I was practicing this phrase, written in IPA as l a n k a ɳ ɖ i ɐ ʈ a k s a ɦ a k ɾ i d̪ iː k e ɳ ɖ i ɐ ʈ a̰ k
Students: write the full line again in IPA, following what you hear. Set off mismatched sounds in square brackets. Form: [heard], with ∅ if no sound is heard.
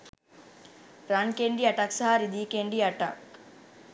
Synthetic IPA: [ɾ] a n k [e] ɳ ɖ i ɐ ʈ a k s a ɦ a [∅] ɾ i d̪ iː k e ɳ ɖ i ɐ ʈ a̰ k